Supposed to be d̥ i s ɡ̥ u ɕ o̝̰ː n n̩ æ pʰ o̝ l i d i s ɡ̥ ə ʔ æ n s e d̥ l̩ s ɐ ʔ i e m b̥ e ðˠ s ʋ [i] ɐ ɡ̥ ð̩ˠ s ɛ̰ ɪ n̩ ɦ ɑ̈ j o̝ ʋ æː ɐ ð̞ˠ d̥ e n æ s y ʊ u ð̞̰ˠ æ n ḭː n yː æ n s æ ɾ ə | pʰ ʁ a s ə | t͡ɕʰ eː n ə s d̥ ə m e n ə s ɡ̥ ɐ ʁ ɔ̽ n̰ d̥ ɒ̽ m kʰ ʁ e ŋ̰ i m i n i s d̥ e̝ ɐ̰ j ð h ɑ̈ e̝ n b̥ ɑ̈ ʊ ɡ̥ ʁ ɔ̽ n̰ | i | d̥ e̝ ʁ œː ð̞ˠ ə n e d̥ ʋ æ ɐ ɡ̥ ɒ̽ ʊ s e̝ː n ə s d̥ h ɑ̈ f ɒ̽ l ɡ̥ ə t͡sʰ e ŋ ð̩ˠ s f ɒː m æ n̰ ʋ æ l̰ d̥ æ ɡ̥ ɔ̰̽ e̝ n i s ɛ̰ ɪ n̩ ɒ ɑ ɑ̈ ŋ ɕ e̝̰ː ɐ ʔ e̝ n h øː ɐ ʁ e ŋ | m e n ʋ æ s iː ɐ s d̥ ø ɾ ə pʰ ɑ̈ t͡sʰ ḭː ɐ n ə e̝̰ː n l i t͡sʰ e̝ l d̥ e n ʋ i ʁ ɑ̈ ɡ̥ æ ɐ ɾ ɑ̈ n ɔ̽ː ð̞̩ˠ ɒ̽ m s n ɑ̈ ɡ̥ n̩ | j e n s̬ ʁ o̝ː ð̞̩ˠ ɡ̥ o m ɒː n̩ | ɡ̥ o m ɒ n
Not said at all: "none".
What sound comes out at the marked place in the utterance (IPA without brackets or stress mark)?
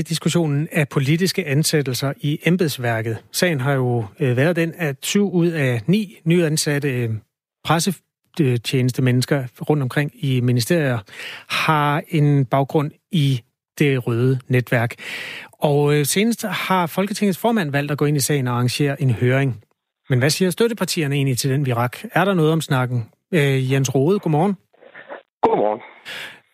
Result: æ